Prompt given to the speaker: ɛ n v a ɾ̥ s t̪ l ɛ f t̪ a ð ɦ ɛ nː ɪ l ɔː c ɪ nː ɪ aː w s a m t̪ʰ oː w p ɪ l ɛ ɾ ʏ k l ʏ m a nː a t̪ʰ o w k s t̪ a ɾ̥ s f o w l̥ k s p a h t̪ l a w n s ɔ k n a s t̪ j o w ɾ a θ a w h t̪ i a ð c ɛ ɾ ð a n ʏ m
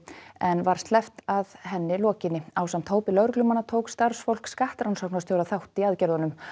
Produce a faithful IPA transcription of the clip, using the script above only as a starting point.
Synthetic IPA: ɛ n v a ɾ̥ s t̪ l ɛ f t̪ a ð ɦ ɛ nː ɪ l ɔː c ɪ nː ɪ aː w s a m t̪ʰ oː w p ɪ l œ ɾ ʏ k l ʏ m a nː a t̪ʰ o w k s t̪ a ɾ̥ s f o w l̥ k s k a h t̪ ɾ a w n s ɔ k n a s t̪ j o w ɾ a θ a w h t̪ i a ð c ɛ ɾ ð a n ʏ m